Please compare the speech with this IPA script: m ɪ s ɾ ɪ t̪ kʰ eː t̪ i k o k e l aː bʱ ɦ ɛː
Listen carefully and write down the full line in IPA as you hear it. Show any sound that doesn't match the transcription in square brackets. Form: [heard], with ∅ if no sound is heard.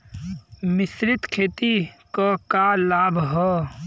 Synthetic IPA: m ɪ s ɾ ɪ t̪ kʰ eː t̪ i k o k [a] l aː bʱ ɦ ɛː